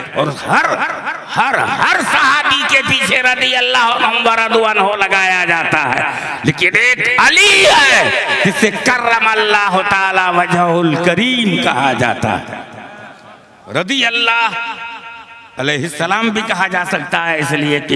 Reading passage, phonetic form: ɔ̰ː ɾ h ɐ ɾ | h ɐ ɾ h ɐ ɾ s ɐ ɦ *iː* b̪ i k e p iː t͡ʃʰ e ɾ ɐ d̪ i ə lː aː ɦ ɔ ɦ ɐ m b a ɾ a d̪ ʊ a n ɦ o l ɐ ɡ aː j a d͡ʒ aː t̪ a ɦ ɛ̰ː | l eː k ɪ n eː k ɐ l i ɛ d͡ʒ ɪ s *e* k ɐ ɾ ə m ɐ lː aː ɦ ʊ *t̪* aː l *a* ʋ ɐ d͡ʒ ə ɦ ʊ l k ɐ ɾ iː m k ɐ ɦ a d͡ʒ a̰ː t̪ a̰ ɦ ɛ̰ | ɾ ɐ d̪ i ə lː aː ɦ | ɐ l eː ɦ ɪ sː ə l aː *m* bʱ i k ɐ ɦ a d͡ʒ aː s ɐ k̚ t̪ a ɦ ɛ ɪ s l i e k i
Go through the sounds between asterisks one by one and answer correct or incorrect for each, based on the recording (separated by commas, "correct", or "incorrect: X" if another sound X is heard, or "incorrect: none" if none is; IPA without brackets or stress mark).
incorrect: aː, correct, correct, correct, correct